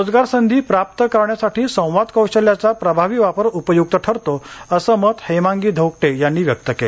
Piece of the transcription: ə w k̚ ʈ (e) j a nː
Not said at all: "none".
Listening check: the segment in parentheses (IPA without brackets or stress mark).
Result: e